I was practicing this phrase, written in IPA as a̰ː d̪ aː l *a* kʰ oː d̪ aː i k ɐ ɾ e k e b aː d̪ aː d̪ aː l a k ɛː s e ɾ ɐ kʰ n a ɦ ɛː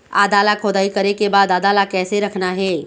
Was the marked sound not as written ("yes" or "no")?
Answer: no